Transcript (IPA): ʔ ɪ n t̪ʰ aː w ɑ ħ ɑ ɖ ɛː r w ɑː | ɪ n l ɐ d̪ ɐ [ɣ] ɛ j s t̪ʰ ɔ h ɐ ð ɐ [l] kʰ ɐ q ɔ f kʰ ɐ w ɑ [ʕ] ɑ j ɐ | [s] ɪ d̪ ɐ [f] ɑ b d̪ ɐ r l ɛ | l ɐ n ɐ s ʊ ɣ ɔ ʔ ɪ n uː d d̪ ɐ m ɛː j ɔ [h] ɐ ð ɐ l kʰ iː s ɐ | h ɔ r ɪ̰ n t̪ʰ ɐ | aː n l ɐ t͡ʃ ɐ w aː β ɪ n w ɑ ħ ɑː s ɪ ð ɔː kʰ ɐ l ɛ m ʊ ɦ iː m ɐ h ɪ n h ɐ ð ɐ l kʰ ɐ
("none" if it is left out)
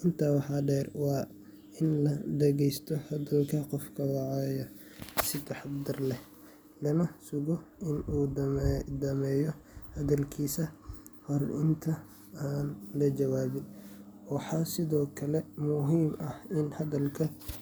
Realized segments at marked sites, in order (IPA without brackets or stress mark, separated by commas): ɣ, l, ʕ, s, ħ, h